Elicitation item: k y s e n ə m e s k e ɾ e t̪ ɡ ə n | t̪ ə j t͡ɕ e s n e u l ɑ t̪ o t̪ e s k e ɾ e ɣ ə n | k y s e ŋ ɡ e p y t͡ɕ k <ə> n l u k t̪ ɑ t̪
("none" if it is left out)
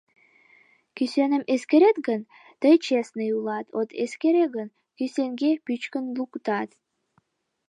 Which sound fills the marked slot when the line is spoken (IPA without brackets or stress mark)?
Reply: ə